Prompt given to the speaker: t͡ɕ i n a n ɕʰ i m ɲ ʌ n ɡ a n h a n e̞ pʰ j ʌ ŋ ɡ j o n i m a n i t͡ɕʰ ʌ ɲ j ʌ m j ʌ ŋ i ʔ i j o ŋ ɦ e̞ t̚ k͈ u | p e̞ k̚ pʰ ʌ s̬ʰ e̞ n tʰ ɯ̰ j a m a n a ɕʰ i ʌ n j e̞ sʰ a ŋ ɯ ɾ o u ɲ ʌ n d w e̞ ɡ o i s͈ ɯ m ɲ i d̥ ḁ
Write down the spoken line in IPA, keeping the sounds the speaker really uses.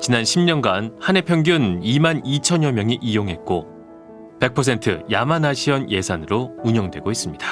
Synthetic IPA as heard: t͡ɕ i n a n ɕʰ i m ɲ ʌ n ɡ a n h a n e̞ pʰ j ʌ ŋ ɡ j u n i m a n i t͡ɕʰ ʌ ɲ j ʌ m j ʌ ŋ i ʔ i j o ŋ ɦ e̞ t̚ k͈ o | p e̞ k̚ pʰ ʌ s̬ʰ e̞ n tʰ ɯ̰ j a m a n a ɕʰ i ʌ n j e̞ sʰ a n ɯ ɾ o u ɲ ʌ ŋ d w e̞ ɡ o i s͈ ɯ m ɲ i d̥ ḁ